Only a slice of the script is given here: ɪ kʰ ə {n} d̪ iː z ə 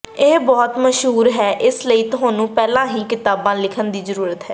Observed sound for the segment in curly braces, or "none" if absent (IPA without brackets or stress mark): n